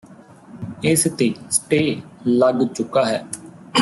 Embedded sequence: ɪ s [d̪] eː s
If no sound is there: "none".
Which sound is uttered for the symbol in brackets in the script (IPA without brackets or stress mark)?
t̪